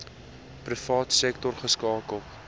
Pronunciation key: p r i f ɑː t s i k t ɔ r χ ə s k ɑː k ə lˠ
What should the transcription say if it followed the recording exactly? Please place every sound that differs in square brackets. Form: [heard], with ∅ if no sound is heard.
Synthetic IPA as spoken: p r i f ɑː t s [ɛ] k t ɔ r χ ə s k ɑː k ə lˠ